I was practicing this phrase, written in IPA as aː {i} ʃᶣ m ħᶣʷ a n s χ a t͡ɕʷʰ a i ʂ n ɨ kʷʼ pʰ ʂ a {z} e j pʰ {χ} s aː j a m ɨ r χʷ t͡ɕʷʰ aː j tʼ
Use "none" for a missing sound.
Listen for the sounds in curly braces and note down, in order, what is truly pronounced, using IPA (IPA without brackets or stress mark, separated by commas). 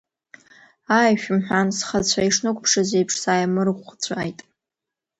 j, z, ʂ